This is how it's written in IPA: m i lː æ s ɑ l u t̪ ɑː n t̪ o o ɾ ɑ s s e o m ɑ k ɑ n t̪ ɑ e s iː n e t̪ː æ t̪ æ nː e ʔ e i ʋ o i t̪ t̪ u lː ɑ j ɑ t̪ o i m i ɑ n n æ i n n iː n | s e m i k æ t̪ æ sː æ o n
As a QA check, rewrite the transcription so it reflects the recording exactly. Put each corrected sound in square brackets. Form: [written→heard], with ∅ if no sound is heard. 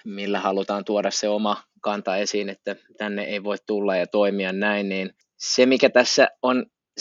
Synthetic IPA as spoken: m i lː æ [s→h] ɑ l u t̪ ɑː n t̪ [o→u] o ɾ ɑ s s e o m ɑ k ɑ n t̪ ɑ e s iː n e t̪ː æ t̪ æ nː e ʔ e i ʋ o i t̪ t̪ u lː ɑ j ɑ t̪ o i m i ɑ n n æ i n n iː n | s e m i k æ t̪ æ sː æ o n